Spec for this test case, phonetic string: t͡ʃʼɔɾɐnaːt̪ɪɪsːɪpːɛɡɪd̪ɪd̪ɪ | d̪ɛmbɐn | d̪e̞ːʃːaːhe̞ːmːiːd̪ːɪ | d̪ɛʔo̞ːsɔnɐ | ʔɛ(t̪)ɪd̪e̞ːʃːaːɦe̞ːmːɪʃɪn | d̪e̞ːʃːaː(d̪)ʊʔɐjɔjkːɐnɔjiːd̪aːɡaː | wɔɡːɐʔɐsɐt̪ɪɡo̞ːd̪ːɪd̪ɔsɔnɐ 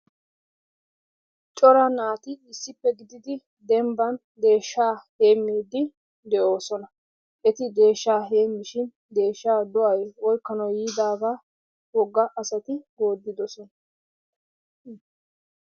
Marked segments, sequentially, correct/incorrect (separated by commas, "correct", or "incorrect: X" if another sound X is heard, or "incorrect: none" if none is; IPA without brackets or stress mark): correct, correct